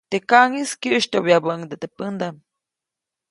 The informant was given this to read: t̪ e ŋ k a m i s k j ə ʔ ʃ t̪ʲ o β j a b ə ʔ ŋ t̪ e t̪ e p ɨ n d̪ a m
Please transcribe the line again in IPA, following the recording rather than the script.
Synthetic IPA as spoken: t̪ e k a ŋ i s k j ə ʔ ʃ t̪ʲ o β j a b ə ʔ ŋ d̪ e t̪ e p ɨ n d̪ a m